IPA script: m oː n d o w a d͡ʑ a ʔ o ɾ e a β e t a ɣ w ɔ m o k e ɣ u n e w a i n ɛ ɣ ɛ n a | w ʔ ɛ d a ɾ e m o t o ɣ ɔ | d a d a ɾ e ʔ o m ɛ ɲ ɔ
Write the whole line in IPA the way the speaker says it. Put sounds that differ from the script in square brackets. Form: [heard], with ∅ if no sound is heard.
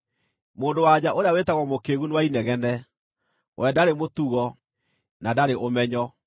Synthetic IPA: m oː n d o w a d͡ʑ a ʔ o ɾ e a [w] e t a ɣ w ɔ m o k e ɣ u n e w a i n ɛ ɣ ɛ n [ɛ] | w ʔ ɛ d a ɾ e m o t [u] ɣ ɔ | [n] a d a ɾ e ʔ o m ɛ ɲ ɔ